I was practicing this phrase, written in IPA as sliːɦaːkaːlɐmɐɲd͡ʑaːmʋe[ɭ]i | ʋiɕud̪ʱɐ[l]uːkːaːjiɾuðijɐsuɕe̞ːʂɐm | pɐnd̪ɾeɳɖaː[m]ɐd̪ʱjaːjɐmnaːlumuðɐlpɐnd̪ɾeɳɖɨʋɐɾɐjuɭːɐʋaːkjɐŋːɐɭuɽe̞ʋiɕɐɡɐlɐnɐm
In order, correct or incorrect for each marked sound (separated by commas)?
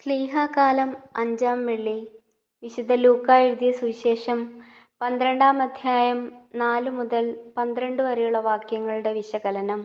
incorrect, correct, correct